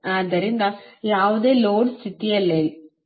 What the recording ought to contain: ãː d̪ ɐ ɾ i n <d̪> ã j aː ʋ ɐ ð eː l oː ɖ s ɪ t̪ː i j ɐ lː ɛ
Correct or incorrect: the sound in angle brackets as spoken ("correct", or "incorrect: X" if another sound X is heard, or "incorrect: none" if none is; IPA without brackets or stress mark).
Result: correct